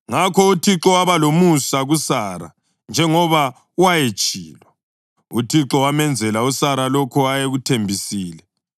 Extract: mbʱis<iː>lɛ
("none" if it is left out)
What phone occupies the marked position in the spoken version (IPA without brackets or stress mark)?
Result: iː